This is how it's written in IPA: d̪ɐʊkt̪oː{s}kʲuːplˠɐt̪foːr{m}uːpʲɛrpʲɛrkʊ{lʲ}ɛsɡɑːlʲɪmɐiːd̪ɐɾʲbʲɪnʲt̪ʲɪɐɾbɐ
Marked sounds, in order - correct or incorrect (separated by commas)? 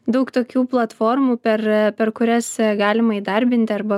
incorrect, correct, incorrect